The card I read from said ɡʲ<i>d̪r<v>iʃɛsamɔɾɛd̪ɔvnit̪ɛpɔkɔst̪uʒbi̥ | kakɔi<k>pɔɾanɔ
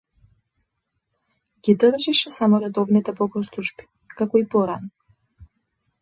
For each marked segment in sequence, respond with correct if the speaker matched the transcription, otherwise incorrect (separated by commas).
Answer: correct, incorrect, incorrect